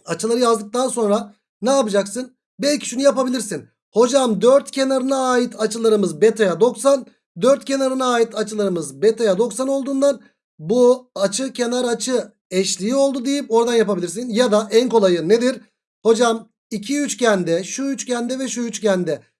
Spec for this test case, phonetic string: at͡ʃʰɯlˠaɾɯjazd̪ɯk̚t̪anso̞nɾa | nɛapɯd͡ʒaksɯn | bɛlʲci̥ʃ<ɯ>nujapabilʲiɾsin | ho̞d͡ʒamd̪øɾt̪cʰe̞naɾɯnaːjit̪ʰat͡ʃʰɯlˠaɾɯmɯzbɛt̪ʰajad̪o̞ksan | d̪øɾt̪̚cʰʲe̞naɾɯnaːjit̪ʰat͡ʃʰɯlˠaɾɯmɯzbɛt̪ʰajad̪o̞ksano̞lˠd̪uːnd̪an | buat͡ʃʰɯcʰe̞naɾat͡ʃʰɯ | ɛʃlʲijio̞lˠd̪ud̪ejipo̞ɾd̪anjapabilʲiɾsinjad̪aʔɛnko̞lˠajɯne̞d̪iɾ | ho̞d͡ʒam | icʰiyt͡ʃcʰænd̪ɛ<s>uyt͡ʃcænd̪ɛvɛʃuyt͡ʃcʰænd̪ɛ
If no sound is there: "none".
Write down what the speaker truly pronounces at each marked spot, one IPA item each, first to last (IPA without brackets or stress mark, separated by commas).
u, ʃ